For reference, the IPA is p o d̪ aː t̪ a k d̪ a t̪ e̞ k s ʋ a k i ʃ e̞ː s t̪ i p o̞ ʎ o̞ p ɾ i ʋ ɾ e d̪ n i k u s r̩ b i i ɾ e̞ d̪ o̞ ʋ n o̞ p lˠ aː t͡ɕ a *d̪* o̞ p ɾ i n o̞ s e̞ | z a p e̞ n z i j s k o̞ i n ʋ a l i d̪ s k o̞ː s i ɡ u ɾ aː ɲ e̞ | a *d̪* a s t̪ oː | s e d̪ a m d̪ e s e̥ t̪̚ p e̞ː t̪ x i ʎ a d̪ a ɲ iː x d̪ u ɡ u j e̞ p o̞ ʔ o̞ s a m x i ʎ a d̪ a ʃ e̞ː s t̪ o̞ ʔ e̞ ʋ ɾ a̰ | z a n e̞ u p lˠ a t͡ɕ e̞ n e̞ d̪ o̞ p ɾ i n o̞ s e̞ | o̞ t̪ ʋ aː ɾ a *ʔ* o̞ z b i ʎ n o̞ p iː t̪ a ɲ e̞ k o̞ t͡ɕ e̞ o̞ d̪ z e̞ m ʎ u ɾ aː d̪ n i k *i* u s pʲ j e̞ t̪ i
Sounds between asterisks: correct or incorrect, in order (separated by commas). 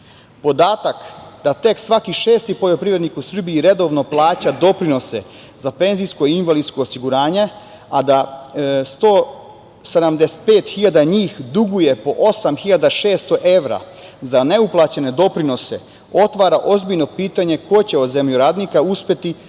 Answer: correct, correct, correct, incorrect